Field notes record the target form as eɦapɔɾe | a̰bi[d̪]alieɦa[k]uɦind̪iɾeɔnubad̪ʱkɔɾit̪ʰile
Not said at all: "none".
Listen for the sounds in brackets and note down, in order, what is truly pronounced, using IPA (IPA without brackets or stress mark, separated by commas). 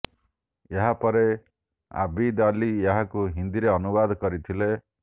d̪, k